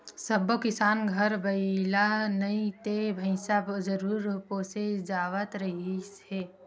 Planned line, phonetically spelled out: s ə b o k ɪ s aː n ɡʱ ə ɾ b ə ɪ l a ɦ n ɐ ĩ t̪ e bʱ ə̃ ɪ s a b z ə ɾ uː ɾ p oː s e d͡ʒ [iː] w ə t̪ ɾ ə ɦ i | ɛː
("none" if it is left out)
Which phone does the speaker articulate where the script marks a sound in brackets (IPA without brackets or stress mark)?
aː